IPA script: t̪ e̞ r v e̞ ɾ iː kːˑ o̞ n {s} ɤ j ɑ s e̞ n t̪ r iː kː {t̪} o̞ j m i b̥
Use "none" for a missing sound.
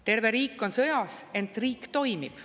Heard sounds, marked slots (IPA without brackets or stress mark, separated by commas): s, t̪